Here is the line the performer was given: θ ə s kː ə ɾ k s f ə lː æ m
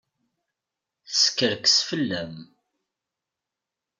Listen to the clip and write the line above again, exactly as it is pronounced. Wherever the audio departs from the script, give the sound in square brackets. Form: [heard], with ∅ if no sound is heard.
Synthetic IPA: θ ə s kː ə ɾ k s f ə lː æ m